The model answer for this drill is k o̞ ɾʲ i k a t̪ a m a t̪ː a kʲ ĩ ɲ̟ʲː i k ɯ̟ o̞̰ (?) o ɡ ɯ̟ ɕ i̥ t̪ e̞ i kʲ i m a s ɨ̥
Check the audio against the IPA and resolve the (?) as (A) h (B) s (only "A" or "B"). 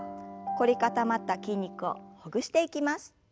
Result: A